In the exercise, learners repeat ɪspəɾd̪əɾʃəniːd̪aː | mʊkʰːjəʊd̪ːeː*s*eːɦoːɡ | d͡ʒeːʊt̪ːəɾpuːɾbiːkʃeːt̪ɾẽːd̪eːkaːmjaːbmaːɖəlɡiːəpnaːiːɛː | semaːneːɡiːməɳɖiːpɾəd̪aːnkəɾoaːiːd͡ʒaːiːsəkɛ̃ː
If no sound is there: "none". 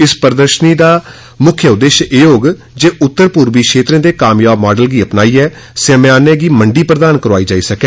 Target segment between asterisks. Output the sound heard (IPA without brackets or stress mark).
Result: ʃ